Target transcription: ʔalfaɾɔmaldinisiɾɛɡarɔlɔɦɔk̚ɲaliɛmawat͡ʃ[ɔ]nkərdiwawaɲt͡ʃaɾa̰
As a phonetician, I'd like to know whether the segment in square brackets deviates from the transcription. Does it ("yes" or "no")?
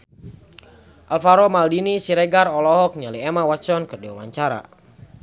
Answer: no